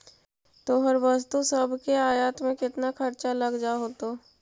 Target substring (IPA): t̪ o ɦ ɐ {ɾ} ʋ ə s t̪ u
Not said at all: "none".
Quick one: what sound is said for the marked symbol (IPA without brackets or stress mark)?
ɾ